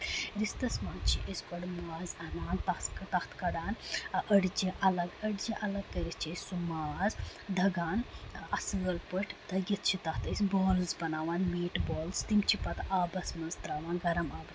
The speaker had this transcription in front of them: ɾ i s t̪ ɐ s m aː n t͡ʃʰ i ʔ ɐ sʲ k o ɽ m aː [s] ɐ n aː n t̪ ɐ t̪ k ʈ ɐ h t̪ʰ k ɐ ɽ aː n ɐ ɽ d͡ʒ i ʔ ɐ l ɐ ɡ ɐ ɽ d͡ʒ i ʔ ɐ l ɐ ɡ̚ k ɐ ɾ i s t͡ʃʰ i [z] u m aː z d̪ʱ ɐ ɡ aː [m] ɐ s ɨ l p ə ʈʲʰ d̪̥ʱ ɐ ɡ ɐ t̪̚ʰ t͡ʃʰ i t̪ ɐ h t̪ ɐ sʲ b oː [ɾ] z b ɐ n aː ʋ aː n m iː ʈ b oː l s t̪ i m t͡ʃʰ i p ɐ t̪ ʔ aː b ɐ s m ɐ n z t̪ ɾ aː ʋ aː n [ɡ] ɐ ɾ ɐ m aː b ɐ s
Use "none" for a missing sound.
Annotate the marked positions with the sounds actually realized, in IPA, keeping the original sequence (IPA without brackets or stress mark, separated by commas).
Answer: z, s, n, l, ɡ